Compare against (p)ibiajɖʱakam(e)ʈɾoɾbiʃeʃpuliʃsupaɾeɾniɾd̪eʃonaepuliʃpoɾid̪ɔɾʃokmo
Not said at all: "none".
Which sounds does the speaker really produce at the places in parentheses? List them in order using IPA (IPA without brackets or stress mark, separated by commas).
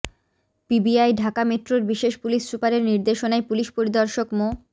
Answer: p, e